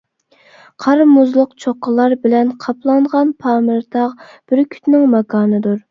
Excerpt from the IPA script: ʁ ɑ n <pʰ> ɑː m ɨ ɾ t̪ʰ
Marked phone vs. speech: correct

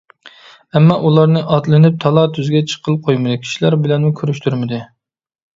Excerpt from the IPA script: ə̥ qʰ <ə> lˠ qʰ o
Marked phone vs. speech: correct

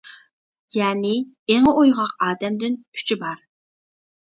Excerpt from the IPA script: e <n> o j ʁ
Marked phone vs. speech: incorrect: ŋ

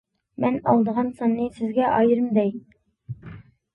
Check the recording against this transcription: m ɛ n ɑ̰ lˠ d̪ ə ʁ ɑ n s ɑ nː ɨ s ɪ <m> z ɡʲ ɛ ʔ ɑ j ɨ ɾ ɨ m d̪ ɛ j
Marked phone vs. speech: incorrect: none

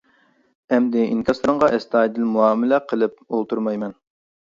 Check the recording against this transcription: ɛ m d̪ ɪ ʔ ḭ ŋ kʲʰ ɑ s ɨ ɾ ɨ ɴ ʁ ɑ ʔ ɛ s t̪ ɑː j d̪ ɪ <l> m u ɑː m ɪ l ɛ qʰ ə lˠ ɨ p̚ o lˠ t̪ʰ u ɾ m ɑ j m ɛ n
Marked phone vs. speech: correct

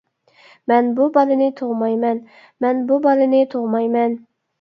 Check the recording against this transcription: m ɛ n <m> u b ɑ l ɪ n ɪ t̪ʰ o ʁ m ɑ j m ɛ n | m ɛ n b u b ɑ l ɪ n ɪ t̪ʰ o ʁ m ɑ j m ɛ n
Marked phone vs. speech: incorrect: b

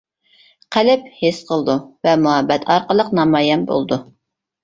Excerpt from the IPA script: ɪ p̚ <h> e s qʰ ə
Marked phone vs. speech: correct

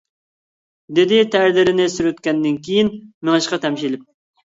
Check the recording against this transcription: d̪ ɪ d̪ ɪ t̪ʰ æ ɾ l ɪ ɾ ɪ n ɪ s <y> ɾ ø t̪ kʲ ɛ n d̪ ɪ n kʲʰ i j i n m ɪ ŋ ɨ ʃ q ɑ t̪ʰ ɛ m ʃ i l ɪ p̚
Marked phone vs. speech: correct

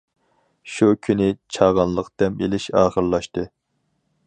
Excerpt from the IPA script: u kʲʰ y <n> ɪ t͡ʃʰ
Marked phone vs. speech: correct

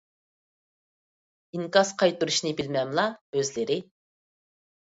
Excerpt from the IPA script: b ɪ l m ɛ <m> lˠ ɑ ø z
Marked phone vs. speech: correct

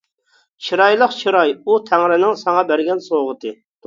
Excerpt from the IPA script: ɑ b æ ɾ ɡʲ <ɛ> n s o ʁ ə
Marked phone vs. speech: correct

